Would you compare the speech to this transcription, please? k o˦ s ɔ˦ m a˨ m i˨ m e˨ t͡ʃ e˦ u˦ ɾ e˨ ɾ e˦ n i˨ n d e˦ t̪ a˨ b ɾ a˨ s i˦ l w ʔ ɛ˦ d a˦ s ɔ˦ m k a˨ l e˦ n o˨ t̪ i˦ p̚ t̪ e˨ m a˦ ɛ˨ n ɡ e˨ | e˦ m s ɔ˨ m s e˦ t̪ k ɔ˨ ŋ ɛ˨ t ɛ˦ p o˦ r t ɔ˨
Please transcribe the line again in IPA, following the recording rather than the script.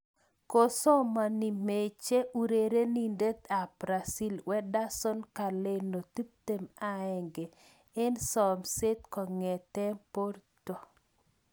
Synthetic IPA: k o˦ s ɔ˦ m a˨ n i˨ m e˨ t͡ʃ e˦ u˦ ɾ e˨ ɾ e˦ n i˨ n d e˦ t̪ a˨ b ɾ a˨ s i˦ l w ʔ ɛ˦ d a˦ s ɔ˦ n k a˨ l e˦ n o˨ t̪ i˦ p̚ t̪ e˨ m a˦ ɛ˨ ŋ ɡ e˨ | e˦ n s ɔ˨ m s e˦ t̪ k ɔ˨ ŋ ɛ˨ t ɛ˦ p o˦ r t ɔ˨